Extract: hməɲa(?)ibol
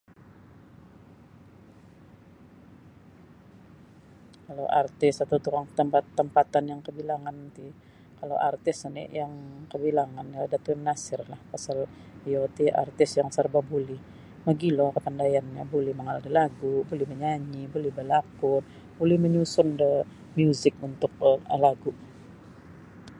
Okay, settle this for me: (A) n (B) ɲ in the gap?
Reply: B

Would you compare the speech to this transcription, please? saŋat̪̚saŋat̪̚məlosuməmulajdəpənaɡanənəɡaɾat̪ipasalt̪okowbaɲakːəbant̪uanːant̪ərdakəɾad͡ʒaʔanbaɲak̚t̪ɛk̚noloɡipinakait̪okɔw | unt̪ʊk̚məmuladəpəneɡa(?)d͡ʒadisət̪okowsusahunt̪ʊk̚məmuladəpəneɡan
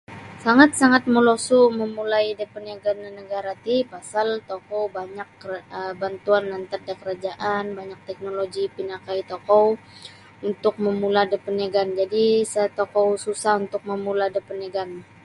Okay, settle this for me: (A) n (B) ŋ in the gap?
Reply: A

